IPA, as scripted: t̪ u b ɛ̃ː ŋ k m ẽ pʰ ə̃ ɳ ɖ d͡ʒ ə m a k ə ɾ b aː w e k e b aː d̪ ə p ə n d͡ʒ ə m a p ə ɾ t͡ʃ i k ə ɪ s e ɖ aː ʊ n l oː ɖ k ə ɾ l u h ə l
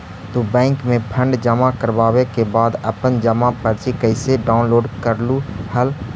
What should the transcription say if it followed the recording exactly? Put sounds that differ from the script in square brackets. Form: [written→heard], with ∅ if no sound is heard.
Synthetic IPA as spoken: t̪ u b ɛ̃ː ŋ k m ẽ pʰ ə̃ ɳ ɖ d͡ʒ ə m a k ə ɾ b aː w e k e b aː d̪ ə p ə n d͡ʒ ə m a p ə ɾ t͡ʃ i k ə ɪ s e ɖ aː ʊ n l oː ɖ k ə ɾ l u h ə l